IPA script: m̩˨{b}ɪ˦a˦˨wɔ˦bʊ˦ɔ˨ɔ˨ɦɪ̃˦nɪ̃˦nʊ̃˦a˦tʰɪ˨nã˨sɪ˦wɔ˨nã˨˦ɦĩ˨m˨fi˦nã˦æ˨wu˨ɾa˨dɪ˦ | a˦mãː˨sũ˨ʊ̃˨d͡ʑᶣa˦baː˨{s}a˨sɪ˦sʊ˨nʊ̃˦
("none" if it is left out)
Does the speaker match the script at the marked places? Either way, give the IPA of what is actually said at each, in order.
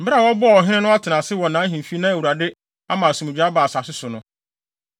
b, s

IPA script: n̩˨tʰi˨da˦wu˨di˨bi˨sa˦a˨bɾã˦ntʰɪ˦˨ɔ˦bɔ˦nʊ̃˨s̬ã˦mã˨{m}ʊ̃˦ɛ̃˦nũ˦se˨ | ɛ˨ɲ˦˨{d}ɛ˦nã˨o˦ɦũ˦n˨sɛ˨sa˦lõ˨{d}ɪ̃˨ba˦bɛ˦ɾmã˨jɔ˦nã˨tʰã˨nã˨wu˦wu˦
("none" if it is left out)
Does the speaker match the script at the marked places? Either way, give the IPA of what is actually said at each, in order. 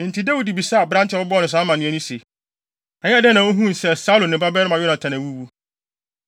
n, d, n

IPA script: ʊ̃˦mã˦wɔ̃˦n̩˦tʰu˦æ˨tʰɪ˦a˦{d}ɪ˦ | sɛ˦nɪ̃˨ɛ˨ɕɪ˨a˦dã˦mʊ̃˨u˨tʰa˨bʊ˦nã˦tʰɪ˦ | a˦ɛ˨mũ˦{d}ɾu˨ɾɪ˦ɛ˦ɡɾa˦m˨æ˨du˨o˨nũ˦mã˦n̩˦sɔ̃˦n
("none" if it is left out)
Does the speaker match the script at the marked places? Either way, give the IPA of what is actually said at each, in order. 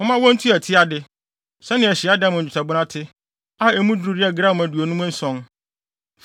d, d

